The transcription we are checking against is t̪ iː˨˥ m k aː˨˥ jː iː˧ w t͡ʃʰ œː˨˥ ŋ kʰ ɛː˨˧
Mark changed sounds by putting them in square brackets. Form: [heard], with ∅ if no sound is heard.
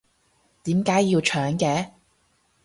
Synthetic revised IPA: t̪ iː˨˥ m k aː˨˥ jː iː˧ w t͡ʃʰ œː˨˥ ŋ [k] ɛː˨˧